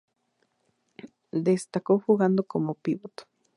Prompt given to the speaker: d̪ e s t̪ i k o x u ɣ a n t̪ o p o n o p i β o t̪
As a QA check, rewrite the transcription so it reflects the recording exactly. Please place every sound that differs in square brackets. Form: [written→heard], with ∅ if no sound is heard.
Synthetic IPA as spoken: d̪ e s t̪ [i→a] k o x u ɣ a n [t̪→d̪] o [p→k] o [n→m] o p i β o t̪